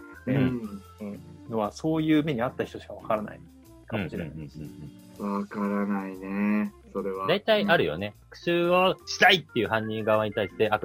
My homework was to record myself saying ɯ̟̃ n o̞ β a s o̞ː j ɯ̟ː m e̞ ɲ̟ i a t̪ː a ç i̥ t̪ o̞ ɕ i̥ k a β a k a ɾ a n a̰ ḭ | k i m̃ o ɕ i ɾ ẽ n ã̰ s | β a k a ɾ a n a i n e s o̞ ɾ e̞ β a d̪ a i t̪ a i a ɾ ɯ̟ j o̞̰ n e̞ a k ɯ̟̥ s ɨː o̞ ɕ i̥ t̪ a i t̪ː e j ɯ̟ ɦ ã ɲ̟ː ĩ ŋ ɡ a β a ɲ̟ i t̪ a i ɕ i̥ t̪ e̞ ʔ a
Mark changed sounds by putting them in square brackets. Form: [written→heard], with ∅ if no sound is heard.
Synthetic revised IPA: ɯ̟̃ n o̞ β a s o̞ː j ɯ̟ː m e̞ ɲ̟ i a t̪ː a ç i̥ t̪ o̞ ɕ i̥ k a β a k a ɾ a n a̰ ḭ | k [i→a] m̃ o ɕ i ɾ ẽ n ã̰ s | β a k a ɾ a n a i n e s o̞ ɾ e̞ β a d̪ a i t̪ a i a ɾ ɯ̟ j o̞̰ n e̞ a k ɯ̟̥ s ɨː o̞ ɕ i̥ t̪ a i t̪ː e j ɯ̟ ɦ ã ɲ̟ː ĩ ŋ ɡ a β a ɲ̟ i t̪ a i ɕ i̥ t̪ e̞ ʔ a